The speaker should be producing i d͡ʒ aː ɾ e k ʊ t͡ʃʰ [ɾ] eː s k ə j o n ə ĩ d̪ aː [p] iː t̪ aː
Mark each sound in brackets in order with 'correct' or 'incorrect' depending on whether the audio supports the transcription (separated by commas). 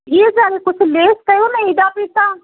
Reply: incorrect, correct